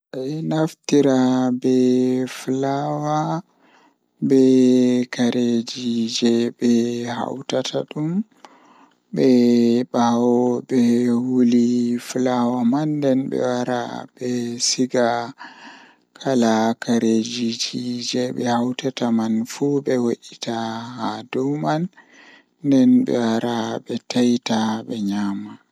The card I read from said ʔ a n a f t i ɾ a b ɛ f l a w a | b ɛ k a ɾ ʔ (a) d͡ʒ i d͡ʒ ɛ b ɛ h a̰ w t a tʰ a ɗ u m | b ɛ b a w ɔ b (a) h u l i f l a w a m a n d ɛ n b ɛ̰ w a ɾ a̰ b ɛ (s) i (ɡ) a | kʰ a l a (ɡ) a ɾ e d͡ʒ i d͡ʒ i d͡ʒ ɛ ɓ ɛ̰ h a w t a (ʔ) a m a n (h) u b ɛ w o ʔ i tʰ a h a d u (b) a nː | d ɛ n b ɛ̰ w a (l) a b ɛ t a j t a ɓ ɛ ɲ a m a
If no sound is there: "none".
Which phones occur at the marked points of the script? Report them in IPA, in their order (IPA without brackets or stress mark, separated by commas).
e, ɛ, s, ɡ, k, t, f, m, ɾ